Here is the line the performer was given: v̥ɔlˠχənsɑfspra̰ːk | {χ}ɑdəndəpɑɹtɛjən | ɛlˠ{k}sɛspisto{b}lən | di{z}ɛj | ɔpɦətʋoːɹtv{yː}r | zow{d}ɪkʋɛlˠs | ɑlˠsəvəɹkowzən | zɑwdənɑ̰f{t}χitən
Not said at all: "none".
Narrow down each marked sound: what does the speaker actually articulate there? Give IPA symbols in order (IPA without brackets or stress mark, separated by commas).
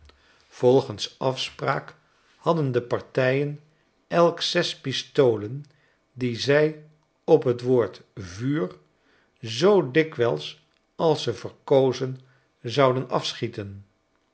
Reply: h, k, w, z, yː, d, s